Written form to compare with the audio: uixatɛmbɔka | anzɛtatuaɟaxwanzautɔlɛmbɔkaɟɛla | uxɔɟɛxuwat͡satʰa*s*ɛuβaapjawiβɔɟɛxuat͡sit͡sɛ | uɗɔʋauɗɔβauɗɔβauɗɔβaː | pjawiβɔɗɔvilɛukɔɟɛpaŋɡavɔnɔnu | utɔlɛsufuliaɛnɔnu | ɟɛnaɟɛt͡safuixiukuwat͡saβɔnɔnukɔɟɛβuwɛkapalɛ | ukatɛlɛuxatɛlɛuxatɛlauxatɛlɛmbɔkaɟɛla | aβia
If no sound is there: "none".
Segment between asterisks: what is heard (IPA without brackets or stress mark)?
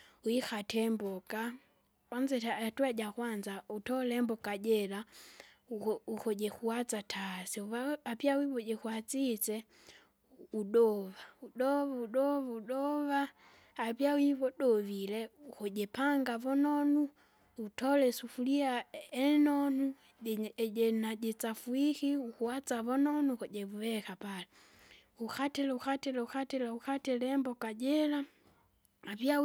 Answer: s